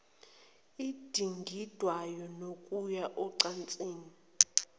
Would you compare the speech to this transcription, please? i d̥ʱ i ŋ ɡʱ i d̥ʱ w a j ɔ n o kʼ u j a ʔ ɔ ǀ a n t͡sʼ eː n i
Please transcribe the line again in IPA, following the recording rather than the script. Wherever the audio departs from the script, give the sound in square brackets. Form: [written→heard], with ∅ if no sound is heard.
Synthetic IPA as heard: i d̥ʱ i ŋ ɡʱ i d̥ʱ w a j ɔ n o kʼ u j a ʔ ɔ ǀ a n t͡sʼ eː n i

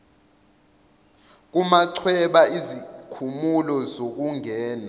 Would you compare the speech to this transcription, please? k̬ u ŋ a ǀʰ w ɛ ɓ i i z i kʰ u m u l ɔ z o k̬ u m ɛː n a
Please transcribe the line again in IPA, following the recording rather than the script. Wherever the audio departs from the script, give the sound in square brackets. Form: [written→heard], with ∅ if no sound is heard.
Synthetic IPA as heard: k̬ u [ŋ→m] a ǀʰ w ɛ ɓ [i→a] i z i kʰ u m u l ɔ z o k̬ u [m→ŋ] ɛː n a

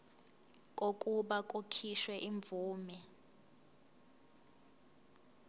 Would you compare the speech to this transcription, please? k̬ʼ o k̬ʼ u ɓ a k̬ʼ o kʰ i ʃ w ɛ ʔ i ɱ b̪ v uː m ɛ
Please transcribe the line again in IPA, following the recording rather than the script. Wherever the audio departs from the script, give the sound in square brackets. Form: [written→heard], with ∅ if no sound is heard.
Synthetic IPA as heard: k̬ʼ o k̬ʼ u ɓ a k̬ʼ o kʰ i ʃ w ɛ ʔ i ɱ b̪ v uː m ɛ

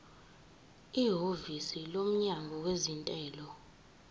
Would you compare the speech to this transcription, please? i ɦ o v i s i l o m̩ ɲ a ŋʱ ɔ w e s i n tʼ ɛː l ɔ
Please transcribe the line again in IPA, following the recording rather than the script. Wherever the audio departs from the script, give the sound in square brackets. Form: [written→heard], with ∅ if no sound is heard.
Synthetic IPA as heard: i ɦ o v i s i l o m̩ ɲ a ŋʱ ɔ w e [s→z] i n tʼ ɛː l ɔ

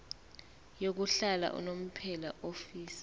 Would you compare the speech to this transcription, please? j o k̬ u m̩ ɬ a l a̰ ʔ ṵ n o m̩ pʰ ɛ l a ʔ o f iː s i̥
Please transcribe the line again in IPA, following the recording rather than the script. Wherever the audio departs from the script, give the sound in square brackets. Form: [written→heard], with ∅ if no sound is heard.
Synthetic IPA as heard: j o k̬ u [m̩→∅] ɬ a l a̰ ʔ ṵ n o m̩ pʰ ɛ l a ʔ o f iː s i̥

